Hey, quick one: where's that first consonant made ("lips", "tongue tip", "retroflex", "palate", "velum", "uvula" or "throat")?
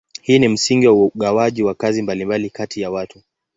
throat